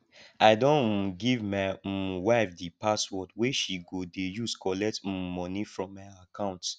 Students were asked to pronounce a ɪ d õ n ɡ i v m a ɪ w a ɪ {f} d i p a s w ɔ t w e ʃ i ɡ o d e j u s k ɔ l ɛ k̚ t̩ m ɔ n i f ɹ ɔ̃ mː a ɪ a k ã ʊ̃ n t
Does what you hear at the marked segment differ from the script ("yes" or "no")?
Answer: no